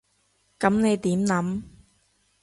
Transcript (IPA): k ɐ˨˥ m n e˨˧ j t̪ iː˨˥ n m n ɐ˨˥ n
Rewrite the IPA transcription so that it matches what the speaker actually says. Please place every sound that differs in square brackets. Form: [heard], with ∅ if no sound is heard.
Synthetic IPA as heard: k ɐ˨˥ m n e˨˧ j t̪ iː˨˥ [∅] m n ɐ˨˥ [m]